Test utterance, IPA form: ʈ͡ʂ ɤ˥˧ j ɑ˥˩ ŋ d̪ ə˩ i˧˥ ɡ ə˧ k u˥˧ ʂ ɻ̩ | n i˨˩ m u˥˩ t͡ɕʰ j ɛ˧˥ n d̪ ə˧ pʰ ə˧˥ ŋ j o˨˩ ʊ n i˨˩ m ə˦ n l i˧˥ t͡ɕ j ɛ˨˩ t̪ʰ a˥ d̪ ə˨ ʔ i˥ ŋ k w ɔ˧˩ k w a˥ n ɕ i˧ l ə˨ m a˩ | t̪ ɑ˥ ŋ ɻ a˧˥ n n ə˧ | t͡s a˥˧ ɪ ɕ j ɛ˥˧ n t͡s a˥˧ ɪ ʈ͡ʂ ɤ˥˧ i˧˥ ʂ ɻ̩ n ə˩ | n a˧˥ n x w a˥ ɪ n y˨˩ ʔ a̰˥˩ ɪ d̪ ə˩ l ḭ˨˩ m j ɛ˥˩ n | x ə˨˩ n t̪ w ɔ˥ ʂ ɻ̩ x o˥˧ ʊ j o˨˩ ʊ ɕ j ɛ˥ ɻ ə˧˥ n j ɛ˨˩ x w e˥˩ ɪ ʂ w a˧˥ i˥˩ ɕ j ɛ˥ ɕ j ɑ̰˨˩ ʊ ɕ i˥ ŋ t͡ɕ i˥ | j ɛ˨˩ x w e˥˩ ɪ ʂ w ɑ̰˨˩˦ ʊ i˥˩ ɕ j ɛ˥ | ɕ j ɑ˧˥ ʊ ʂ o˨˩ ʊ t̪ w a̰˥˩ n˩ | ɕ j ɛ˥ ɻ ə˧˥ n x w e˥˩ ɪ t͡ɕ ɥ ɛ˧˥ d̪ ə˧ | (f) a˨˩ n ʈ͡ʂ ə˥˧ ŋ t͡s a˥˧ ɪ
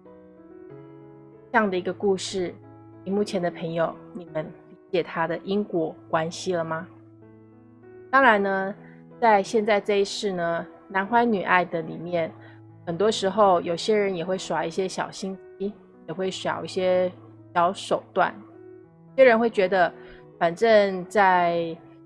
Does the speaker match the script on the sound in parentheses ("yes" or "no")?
yes